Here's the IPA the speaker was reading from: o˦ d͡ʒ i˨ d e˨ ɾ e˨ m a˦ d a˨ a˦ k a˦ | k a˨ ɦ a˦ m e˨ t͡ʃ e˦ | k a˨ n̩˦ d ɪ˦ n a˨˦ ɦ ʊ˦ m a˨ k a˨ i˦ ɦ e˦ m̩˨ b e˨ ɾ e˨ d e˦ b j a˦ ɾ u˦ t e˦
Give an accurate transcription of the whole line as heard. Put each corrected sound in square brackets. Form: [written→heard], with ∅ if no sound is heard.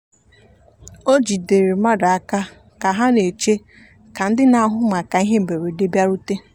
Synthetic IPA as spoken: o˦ d͡ʒ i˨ d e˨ ɾ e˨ m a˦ d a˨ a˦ k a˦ | k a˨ ɦ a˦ [m→n] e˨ t͡ʃ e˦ | k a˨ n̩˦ d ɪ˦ n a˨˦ ɦ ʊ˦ m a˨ k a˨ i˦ ɦ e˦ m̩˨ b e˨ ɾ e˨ d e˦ b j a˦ ɾ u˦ t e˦